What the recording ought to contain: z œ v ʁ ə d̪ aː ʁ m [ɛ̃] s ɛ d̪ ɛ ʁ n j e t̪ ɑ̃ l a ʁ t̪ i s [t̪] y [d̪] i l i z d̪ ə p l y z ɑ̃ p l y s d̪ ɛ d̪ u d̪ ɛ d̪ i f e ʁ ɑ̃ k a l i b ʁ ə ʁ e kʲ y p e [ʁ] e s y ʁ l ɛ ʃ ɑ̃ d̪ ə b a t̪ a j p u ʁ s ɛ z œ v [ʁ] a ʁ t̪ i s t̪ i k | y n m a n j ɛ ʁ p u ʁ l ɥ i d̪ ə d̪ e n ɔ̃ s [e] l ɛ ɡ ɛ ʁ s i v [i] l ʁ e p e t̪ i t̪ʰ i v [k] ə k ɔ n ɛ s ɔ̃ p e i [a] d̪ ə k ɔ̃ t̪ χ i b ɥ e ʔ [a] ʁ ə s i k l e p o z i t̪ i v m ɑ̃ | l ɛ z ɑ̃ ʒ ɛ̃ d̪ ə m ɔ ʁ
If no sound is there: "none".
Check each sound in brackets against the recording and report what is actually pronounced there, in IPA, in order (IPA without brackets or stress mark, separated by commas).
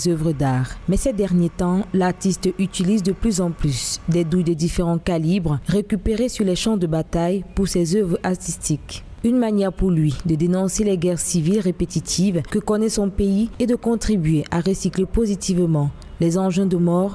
ɛ, t̪, t̪, ʁ, ʁ, e, i, k, e, a